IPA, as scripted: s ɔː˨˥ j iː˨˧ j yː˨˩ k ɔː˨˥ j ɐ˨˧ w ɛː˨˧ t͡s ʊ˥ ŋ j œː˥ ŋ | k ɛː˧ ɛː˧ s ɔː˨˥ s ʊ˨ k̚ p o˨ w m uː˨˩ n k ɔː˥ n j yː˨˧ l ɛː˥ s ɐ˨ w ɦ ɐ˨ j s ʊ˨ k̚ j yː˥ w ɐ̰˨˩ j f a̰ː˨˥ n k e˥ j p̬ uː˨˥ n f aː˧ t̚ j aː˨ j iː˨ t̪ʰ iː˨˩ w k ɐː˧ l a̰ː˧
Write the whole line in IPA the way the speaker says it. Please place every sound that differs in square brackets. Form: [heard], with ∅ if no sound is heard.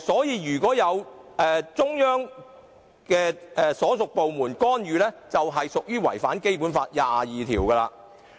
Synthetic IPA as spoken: s ɔː˨˥ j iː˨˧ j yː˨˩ k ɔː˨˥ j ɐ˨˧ w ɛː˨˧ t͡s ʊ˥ ŋ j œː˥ ŋ | k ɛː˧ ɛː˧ s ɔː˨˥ s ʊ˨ k̚ p o˨ w m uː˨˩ n k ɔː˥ n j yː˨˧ l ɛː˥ [t͡s] ɐ˨ w ɦ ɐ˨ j s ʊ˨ k̚ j yː˥ w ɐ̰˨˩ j f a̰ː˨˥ n k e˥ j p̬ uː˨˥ n f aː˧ t̚ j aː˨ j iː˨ t̪ʰ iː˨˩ w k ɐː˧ l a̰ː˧